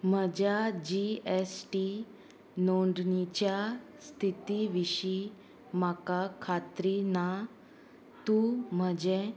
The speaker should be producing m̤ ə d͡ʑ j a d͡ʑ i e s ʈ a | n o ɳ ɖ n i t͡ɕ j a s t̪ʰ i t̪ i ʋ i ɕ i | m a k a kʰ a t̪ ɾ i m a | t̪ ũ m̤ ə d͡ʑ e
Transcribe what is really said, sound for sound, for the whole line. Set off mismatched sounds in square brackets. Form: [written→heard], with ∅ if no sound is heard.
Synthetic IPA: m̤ ə d͡ʑ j a d͡ʑ i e s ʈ [a→i] | n o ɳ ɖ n i t͡ɕ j a s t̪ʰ i t̪ i ʋ i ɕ i | m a k a kʰ a t̪ ɾ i [m→n] a | t̪ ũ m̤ ə d͡ʑ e